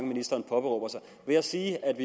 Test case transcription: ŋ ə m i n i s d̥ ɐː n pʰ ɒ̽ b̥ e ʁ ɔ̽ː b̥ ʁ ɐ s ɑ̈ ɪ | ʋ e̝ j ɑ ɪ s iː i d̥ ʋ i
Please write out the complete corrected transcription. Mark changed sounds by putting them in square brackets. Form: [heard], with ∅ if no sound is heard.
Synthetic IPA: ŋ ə m i n i s d̥ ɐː n pʰ ɒ̽ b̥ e ʁ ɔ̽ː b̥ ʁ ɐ s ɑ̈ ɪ | ʋ e̝ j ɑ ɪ s iː [æ] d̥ ʋ i